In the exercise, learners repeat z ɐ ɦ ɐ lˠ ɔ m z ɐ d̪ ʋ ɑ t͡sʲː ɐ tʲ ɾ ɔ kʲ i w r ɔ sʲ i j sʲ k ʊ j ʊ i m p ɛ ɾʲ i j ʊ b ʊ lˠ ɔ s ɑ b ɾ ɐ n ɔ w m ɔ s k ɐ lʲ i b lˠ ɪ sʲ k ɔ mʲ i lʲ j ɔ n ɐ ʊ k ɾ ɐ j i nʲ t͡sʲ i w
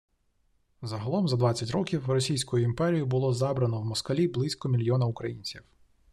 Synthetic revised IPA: z ɐ ɦ ɐ lˠ ɔ m z ɐ d̪ ʋ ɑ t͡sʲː ɐ tʲ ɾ ɔ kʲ i w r ɔ sʲ i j sʲ k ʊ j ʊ i m p ɛ ɾʲ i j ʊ b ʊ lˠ ɔ z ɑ b ɾ ɐ n ɔ w m ɔ s k ɐ lʲ i b lˠ ɪ sʲ k ɔ mʲ i lʲ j ɔ n ɐ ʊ k ɾ ɐ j i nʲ t͡sʲ i w